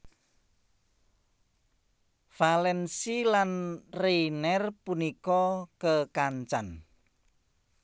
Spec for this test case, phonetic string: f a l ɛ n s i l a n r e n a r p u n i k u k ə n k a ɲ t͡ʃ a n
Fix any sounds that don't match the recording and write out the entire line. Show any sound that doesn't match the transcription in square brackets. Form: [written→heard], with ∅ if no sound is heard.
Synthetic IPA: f a l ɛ n s i l a n r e n [a→ɛ] r p u n i k [u→ɔ] k ə [n→∅] k a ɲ t͡ʃ a n